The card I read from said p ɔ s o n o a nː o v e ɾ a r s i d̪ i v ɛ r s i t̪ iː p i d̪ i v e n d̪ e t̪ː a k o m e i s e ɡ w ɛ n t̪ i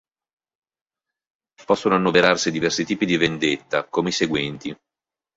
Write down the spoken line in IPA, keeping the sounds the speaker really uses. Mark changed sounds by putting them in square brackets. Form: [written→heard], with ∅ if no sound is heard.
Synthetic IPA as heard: p ɔ [s→sː] o n o a nː o v e ɾ a r s i d̪ i v ɛ r s i t̪ iː p i d̪ i v e n d̪ e t̪ː a k o m e i s e ɡ w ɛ n t̪ i